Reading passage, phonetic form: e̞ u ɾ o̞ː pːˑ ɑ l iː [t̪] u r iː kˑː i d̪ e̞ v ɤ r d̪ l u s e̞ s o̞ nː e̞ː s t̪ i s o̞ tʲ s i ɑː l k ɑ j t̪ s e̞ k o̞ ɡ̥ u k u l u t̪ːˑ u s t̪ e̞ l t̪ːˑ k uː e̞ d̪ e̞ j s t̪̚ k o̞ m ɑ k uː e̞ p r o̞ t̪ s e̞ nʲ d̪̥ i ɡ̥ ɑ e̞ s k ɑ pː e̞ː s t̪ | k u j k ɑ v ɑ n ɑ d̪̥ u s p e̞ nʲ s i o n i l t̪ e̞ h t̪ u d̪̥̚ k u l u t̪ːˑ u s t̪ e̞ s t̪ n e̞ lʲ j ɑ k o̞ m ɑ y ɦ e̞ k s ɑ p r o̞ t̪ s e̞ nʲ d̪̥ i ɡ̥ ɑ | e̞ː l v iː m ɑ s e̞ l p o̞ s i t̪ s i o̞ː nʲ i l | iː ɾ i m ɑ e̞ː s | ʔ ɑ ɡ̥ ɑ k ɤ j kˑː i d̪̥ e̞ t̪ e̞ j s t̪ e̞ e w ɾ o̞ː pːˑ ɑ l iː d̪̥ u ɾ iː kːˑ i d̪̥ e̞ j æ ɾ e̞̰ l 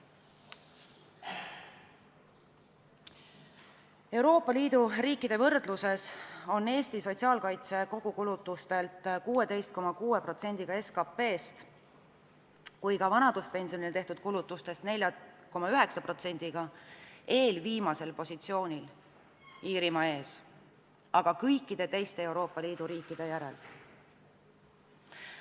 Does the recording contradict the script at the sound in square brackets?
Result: yes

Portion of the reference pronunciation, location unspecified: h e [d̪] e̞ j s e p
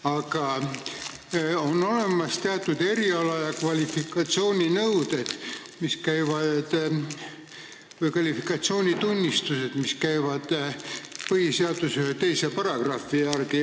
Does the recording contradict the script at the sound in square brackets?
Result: yes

